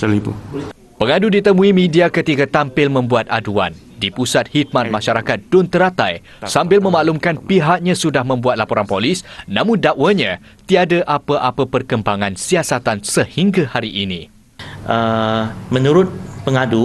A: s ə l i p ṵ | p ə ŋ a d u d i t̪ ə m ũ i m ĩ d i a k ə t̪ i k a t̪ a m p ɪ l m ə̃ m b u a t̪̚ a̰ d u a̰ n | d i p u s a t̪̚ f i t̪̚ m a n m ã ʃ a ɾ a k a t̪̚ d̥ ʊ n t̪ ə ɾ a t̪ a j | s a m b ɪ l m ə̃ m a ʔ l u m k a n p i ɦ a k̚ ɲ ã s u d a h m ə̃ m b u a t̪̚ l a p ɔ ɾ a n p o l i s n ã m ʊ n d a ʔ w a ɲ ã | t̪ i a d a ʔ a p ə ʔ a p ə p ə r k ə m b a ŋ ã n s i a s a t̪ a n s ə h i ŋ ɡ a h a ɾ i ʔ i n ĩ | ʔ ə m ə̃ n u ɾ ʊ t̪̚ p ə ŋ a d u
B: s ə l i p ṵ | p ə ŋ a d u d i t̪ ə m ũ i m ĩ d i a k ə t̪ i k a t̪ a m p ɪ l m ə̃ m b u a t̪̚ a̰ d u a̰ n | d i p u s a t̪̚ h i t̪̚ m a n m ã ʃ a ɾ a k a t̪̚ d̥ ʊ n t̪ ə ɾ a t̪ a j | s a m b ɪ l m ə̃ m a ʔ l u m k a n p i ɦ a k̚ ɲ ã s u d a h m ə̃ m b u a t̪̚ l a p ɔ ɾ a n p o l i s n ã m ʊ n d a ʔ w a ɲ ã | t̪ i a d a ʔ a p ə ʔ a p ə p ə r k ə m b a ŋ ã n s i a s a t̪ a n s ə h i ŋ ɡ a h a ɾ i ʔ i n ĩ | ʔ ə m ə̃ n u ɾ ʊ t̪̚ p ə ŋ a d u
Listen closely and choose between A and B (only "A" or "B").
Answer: B